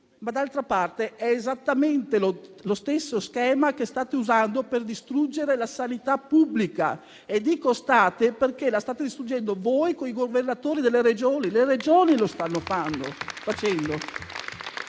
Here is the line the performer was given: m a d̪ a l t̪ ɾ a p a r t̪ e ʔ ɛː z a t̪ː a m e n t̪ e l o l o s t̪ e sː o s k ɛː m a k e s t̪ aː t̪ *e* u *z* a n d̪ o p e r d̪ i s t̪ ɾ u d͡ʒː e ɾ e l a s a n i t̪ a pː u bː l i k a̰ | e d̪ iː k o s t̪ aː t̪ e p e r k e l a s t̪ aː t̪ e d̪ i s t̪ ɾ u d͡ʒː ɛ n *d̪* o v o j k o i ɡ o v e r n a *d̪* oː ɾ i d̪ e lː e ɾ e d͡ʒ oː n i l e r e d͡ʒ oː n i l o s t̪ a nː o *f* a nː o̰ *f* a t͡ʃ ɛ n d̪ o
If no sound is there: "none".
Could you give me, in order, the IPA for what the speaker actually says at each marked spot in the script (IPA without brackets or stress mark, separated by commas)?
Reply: e, z, d̪, t̪, f, f